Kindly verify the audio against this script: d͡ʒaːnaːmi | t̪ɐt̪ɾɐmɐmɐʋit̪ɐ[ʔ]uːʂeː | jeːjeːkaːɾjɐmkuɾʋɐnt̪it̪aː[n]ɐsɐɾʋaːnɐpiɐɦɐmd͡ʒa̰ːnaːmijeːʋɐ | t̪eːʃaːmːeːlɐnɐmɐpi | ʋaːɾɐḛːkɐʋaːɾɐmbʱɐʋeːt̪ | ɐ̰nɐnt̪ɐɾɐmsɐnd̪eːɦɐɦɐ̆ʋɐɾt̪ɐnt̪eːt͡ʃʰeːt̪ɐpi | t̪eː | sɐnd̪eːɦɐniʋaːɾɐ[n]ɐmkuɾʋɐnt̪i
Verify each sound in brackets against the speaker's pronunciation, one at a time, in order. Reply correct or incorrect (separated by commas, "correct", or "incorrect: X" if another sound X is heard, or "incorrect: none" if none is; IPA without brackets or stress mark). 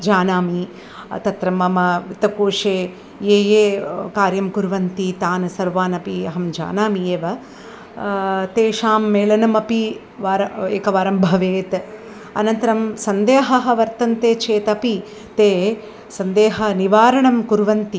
incorrect: k, correct, incorrect: ɳ